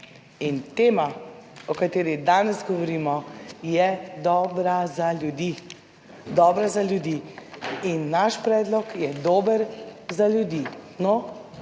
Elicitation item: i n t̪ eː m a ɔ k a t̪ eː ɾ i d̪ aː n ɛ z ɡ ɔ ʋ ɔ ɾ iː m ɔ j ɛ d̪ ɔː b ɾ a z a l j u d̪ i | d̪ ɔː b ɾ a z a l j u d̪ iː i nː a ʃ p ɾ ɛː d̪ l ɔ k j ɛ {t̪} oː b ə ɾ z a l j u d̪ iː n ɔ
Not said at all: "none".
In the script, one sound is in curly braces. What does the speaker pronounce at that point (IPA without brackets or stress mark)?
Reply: d̪